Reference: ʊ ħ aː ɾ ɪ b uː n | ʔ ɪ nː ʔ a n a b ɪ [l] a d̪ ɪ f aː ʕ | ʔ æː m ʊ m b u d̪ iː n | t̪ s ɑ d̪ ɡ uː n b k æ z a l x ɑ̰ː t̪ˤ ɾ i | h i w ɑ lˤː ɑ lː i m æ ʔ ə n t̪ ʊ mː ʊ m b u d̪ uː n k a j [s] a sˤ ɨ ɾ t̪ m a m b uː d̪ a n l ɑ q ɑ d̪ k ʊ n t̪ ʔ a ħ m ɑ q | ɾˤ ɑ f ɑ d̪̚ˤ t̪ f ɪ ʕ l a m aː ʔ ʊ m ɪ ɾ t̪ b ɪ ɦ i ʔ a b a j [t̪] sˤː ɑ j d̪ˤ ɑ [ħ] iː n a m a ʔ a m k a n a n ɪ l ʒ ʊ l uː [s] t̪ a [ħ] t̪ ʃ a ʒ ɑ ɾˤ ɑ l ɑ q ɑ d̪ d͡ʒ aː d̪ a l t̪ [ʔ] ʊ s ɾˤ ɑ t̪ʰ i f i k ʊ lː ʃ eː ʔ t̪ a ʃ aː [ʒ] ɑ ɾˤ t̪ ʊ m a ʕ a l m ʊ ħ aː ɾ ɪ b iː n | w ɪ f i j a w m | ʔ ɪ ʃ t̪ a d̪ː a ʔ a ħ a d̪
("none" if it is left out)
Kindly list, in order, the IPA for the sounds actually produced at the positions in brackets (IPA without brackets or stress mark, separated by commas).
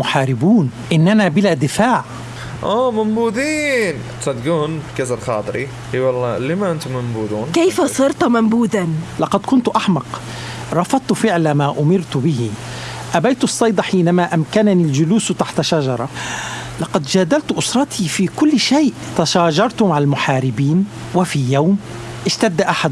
l, f, t̪, ħ, s, ħ, ʔ, ʒ